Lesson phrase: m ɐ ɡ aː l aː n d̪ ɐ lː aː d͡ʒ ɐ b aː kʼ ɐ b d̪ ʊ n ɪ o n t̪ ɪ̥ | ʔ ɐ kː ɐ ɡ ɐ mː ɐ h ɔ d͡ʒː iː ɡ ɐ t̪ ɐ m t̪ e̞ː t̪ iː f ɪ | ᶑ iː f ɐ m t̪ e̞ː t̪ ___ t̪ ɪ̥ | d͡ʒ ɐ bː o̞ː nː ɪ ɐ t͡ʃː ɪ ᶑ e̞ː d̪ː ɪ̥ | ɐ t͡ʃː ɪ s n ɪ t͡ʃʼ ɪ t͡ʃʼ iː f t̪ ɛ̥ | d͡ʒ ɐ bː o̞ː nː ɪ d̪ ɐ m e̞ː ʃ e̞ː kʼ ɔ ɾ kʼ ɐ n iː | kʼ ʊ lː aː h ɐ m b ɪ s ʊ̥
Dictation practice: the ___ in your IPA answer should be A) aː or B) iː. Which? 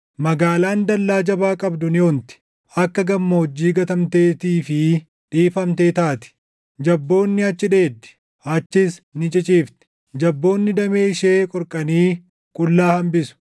A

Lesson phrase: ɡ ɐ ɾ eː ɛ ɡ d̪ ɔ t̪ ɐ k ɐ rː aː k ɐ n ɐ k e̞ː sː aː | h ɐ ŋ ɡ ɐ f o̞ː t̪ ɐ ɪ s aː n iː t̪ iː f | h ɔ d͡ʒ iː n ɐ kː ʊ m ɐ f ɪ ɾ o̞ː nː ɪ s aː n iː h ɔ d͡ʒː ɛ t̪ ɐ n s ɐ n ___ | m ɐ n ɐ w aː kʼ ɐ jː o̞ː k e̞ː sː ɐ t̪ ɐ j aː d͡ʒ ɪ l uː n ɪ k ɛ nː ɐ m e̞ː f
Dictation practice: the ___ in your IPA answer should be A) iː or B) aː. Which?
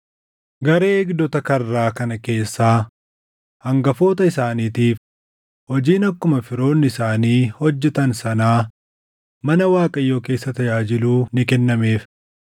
B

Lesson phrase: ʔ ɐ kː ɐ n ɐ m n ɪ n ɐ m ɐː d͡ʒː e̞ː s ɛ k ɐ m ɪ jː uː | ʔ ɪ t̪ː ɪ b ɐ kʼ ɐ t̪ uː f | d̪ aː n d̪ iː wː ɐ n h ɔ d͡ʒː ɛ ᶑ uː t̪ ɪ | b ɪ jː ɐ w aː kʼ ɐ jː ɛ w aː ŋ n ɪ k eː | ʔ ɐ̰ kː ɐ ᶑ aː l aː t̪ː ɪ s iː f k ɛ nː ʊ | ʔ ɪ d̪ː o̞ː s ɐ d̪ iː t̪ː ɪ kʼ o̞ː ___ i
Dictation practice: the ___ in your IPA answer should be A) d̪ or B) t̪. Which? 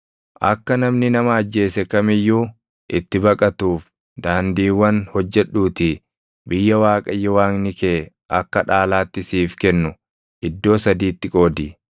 A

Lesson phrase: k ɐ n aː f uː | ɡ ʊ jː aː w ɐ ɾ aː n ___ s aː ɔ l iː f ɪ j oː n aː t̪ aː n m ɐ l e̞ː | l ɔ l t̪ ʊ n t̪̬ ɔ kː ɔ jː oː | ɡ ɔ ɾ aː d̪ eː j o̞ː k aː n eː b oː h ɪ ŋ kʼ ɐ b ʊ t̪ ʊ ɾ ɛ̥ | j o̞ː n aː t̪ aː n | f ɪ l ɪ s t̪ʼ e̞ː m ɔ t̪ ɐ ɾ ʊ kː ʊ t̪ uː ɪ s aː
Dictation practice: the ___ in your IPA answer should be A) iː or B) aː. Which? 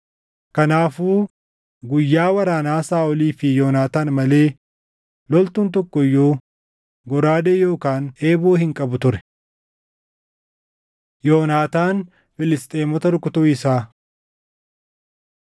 B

